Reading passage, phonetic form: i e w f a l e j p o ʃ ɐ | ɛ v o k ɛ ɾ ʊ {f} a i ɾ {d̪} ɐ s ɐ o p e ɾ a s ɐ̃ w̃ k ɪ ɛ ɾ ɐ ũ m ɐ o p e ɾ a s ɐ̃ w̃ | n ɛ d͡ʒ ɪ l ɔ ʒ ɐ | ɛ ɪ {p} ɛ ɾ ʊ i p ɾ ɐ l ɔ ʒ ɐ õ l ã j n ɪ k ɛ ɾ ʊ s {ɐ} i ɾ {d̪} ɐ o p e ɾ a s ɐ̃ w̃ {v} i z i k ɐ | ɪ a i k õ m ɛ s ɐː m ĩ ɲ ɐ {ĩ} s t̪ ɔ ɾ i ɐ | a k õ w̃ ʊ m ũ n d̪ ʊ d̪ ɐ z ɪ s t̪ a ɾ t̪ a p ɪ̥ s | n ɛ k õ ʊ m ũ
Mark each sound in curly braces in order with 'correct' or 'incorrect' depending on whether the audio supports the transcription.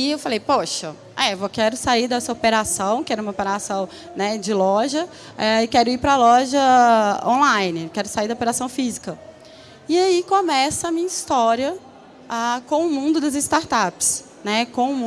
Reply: incorrect: s, correct, incorrect: k, incorrect: a, correct, incorrect: f, incorrect: i

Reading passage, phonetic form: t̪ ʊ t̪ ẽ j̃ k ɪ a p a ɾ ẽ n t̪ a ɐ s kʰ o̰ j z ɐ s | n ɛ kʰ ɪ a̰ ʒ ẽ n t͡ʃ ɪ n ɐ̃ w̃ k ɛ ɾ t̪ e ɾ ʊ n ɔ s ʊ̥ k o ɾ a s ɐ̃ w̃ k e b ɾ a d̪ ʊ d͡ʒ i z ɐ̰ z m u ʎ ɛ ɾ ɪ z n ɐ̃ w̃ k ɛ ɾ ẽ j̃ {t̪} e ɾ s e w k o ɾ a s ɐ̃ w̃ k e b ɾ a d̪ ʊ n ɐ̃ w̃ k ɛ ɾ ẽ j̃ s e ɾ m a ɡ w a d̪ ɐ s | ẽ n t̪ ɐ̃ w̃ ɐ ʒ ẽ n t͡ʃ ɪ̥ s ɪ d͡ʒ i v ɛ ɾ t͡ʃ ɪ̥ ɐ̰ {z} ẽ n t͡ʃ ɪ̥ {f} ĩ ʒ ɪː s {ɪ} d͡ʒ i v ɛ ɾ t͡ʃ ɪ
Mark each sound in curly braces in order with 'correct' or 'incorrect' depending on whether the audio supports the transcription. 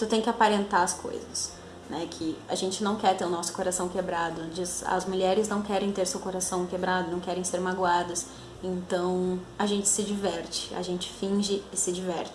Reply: correct, incorrect: ʒ, correct, correct

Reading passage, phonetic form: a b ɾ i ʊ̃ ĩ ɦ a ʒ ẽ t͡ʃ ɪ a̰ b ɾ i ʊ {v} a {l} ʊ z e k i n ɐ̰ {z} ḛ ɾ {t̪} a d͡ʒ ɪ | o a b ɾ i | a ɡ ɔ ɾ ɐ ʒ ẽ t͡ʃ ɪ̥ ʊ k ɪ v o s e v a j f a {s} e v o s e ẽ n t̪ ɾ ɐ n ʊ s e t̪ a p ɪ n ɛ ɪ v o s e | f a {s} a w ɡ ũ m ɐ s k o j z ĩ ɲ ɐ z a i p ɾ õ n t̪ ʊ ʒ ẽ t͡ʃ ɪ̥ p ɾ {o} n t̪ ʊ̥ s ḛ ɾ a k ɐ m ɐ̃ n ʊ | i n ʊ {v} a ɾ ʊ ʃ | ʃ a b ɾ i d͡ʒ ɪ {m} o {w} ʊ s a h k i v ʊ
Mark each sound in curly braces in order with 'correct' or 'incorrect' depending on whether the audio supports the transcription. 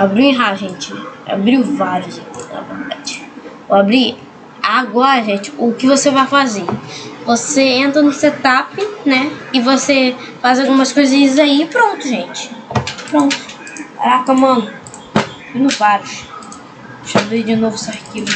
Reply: correct, incorrect: ɾ, incorrect: v, incorrect: d̪, incorrect: z, incorrect: z, incorrect: õ, correct, incorrect: n, incorrect: v

